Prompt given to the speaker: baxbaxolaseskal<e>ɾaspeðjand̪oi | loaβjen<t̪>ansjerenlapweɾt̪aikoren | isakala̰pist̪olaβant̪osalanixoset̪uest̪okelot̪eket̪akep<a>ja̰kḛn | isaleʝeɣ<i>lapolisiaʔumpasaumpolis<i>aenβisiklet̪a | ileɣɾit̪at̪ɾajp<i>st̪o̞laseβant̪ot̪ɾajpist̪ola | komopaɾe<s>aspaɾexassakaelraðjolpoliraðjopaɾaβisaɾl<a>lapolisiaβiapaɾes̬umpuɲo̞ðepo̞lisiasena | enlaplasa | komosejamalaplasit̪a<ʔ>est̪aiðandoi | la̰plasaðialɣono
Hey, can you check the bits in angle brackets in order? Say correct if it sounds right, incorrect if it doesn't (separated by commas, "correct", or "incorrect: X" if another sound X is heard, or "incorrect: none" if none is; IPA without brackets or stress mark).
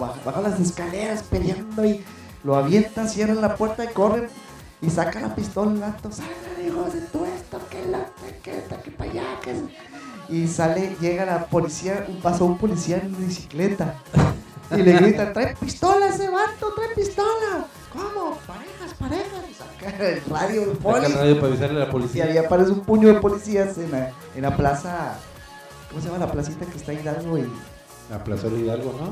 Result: correct, correct, correct, incorrect: a, correct, correct, incorrect: x, incorrect: e, incorrect: k